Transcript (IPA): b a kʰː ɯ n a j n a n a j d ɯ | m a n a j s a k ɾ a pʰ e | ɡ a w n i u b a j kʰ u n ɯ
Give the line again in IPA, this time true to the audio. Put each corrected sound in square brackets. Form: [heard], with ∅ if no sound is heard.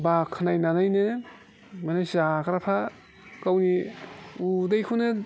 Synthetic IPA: b a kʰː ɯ n a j n a n a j [n] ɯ | m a n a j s a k ɾ a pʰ [a] | [k] a w n i u [d] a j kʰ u n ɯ